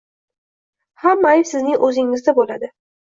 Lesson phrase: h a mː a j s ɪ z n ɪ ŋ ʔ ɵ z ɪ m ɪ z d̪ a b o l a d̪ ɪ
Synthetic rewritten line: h a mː a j s ɪ z n ɪ ŋ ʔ ɵ z ɪ ŋ ɪ z d̪ a b o l a d̪ ɪ